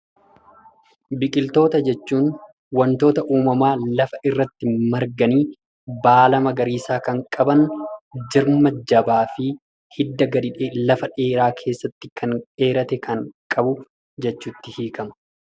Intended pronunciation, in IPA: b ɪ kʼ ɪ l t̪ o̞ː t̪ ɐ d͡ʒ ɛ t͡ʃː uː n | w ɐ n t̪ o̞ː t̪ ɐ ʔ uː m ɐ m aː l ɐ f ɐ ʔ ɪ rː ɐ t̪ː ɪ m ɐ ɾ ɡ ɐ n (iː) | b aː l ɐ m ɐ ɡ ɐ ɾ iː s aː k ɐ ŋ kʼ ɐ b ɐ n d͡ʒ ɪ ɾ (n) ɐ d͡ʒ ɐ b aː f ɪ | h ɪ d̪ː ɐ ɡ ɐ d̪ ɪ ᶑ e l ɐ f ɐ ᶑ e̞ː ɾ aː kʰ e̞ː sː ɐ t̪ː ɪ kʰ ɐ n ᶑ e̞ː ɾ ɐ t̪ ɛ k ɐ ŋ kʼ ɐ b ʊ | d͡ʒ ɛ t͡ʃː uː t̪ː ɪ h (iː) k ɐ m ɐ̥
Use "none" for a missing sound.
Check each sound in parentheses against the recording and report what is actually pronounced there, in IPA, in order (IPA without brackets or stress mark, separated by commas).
iː, m, iː